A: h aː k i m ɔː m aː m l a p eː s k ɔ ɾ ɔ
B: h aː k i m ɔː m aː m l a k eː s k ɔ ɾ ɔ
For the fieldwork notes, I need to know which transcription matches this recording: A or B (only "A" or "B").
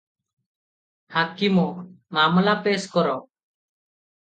A